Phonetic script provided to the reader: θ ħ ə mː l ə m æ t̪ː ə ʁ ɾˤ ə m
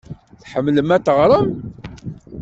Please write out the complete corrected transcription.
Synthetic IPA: θ ħ ə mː l ə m æ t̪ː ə ʁ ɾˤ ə m